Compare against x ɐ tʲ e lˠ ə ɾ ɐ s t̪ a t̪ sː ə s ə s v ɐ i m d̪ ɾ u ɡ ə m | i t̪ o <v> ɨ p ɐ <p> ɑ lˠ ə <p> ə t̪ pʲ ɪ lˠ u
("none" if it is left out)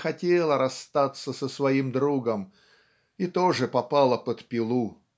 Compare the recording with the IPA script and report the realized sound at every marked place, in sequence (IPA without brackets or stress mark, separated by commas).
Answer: ʐ, p, p